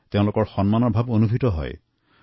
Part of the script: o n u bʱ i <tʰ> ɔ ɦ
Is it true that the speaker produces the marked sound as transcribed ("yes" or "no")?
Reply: no